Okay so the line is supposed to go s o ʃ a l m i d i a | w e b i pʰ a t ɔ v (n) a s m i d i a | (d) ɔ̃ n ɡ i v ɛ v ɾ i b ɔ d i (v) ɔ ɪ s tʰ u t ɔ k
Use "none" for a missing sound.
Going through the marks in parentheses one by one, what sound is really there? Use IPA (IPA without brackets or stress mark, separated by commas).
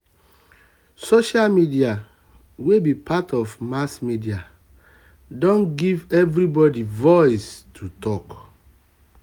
m, d, v